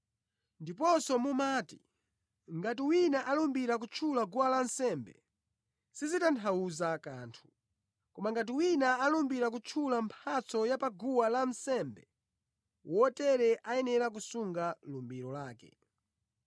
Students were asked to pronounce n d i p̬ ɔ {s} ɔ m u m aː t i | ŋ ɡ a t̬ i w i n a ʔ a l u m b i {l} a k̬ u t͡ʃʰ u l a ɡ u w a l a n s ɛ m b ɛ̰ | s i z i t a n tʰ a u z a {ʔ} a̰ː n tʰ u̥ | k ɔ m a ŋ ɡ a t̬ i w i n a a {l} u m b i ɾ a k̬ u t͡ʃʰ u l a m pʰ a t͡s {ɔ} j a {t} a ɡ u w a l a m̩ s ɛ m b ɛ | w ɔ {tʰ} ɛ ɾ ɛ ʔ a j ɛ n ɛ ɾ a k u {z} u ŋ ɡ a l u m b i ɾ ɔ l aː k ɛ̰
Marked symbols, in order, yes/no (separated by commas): yes, no, no, yes, yes, no, no, no